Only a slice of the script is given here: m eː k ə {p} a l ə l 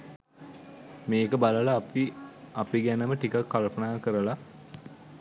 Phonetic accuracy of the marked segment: incorrect: b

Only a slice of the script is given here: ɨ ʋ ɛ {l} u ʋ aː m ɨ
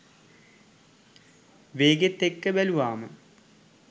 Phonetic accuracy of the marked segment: correct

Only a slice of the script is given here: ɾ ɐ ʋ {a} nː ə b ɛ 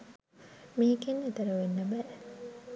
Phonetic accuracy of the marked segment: incorrect: e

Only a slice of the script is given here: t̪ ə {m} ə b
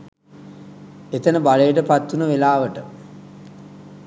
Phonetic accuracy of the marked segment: incorrect: n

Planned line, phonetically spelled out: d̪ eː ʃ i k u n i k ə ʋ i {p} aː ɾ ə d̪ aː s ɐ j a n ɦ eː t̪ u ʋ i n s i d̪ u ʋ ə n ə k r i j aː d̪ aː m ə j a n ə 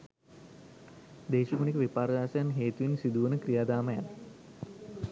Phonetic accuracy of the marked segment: correct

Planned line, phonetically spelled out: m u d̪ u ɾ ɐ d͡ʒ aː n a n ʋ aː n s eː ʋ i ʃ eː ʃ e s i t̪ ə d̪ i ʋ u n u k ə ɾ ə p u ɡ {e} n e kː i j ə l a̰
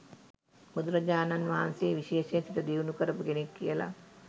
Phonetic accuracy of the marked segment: correct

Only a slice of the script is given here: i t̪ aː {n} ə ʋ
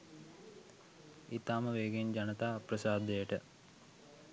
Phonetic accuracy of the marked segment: incorrect: m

